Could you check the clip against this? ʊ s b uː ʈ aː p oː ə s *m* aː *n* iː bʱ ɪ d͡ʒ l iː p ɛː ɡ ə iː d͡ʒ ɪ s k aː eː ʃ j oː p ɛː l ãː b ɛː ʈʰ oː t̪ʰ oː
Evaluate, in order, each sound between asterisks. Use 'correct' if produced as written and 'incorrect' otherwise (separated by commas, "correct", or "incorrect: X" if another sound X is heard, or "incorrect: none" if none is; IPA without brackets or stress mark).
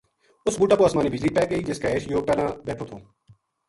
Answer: correct, correct